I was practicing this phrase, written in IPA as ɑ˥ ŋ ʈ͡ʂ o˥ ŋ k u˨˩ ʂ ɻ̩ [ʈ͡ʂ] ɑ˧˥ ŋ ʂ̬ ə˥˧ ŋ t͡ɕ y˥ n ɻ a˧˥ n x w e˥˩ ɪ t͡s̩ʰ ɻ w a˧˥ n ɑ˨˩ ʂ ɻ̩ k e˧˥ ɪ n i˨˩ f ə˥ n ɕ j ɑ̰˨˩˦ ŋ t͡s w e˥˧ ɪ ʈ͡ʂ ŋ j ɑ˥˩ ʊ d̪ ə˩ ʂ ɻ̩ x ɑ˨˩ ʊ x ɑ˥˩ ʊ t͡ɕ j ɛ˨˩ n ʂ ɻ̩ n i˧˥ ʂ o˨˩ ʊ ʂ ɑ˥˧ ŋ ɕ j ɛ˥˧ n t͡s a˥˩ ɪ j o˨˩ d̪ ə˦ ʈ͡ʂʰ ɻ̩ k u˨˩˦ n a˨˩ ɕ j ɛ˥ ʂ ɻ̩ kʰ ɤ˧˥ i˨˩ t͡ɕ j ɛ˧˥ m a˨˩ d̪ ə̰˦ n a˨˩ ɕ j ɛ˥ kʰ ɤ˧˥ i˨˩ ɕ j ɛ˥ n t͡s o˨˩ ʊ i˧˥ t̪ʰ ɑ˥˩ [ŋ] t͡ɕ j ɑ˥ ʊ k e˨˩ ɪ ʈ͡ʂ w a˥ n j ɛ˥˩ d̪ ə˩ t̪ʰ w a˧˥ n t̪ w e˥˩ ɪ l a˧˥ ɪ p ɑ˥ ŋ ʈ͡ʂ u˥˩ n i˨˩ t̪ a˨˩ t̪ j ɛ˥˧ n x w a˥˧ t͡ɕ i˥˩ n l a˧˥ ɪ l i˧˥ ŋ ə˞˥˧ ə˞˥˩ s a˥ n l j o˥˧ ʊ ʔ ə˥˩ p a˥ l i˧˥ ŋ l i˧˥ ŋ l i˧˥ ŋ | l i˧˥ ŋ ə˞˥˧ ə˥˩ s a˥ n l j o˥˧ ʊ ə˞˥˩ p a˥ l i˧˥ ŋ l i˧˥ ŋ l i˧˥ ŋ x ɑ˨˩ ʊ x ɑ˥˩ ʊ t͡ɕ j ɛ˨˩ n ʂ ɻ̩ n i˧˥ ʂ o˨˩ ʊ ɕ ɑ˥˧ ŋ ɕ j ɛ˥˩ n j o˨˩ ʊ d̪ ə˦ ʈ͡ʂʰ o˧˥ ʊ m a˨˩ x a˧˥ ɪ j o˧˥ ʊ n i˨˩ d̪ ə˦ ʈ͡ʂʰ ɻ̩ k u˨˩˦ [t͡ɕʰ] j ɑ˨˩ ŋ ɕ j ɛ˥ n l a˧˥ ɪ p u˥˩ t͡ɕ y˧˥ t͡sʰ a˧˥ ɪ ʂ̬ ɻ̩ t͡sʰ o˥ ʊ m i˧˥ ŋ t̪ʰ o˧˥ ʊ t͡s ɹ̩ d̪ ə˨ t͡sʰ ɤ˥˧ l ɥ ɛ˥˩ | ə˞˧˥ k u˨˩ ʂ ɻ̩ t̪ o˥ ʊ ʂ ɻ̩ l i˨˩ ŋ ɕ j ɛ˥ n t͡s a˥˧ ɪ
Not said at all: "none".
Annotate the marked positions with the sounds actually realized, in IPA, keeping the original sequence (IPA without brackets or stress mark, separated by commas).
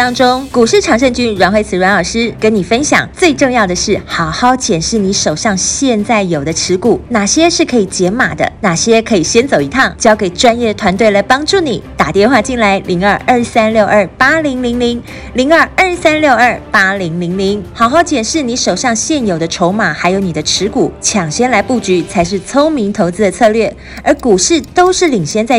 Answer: ʈ͡ʂʰ, ŋ, t͡ɕʰ